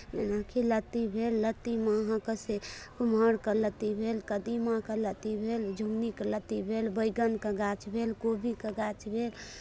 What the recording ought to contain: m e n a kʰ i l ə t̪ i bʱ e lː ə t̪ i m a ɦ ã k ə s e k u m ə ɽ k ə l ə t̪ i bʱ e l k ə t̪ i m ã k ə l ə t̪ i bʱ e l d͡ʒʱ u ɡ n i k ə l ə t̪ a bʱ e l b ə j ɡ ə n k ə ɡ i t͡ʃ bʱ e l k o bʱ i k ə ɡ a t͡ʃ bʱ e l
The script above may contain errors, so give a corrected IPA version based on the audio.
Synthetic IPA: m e n a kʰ i l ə t̪ i bʱ e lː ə t̪ i m a ɦ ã k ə s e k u m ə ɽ k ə l ə t̪ i bʱ e l k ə d̪ i m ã k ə l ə t̪ i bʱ e l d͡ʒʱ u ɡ n i k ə l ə t̪ i bʱ e l b ə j ɡ ə n k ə ɡ a t͡ʃ bʱ e l k o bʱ i k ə ɡ a t͡ʃ bʱ e l